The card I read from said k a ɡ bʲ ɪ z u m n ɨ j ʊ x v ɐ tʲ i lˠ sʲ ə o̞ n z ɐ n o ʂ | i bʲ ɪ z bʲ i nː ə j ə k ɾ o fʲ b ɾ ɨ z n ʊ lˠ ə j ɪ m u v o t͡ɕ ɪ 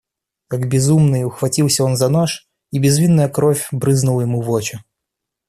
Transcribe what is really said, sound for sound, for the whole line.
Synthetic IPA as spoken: k a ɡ bʲ ɪ z u m n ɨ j ʊ x v ɐ tʲ i lˠ sʲ ə o̞ n z ɐ n o ʂ | i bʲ ɪ z vʲ i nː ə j ə k ɾ o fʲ b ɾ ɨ z n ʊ lˠ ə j ɪ m u v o t͡ɕ ɪ